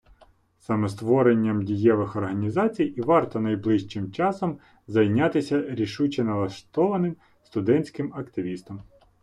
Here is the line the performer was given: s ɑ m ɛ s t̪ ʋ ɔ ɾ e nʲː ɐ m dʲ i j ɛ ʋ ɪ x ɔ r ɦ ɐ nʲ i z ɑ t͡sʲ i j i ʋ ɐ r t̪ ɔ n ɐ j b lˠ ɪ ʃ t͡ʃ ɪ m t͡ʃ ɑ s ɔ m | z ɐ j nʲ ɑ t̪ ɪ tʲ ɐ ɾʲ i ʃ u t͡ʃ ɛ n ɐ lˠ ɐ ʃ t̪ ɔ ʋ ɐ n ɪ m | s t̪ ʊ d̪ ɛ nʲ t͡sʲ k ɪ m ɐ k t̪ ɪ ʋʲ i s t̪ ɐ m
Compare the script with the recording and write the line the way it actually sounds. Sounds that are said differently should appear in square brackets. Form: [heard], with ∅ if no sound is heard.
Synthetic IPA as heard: s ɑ m ɛ s t̪ ʋ ɔ ɾ e nʲː ɐ m dʲ i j ɛ ʋ ɪ x ɔ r ɦ ɐ nʲ i z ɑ t͡sʲ i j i ʋ [ɑ] r t̪ ɔ n ɐ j b lˠ ɪ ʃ t͡ʃ ɪ m t͡ʃ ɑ s ɔ m | z ɐ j nʲ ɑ t̪ ɪ [sʲ] ɐ ɾʲ i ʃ u t͡ʃ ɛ n ɐ lˠ ɐ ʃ t̪ ɔ ʋ ɐ n ɪ m | s t̪ ʊ d̪ ɛ nʲ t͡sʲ k ɪ m ɐ k t̪ ɪ ʋʲ i s t̪ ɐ m

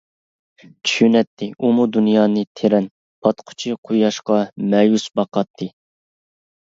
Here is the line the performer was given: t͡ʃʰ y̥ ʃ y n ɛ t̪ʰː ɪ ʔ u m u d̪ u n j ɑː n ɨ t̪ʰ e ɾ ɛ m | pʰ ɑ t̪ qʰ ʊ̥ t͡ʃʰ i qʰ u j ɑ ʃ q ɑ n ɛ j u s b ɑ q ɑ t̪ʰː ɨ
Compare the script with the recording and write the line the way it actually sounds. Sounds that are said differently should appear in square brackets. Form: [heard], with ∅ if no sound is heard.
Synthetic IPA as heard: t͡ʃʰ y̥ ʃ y n ɛ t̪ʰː ɪ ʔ u m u d̪ u n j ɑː n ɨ t̪ʰ e ɾ ɛ [n] | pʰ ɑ t̪ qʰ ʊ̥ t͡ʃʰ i qʰ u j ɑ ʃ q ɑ [m] ɛ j u s b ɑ q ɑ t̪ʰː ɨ

